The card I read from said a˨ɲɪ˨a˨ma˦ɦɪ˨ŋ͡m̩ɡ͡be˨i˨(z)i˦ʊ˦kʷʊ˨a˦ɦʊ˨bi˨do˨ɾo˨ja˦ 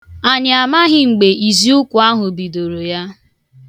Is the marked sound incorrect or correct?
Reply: correct